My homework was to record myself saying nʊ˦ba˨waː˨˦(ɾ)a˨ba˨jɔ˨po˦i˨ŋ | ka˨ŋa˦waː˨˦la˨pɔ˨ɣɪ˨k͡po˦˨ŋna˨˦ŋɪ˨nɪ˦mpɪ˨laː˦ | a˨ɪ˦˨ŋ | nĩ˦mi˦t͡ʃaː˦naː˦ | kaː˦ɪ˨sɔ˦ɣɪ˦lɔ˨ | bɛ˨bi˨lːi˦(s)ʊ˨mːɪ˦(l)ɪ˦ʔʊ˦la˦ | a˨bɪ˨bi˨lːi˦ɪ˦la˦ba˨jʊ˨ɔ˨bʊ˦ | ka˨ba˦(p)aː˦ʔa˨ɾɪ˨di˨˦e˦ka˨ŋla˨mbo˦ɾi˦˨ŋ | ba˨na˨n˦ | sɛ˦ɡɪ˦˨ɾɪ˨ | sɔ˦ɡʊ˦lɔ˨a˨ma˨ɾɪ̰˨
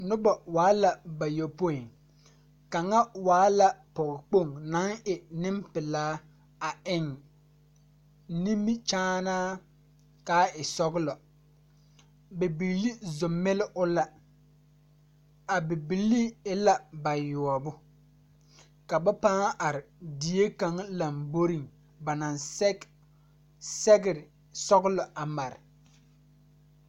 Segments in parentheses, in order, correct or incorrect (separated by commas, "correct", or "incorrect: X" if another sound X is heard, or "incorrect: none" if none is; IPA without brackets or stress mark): incorrect: l, incorrect: z, correct, correct